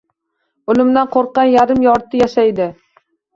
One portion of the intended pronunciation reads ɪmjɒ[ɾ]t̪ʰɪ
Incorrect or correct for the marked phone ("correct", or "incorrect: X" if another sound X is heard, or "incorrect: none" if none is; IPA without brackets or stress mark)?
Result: correct